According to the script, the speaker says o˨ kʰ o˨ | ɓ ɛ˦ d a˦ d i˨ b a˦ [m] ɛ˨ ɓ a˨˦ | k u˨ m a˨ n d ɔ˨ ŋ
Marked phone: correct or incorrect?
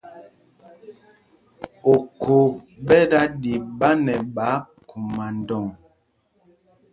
incorrect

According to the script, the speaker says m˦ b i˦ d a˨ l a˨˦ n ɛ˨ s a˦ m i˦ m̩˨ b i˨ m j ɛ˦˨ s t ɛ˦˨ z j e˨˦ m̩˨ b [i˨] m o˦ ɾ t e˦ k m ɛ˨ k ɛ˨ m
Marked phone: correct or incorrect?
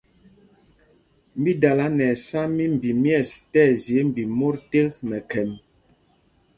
correct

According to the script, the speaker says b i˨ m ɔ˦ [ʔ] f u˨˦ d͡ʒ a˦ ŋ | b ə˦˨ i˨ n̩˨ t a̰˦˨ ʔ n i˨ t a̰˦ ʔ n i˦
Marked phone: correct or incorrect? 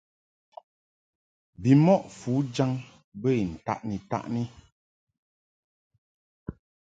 correct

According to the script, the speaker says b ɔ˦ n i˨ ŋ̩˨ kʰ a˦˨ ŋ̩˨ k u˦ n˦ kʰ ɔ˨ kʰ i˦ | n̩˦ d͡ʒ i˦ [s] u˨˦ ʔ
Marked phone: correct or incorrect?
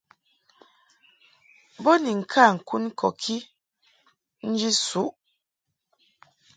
correct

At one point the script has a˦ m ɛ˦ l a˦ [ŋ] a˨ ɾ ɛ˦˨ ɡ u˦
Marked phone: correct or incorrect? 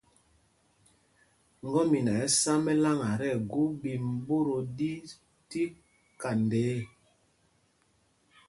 correct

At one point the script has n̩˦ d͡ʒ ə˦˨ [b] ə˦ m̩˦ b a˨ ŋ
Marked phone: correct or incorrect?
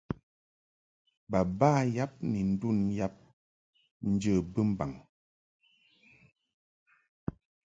correct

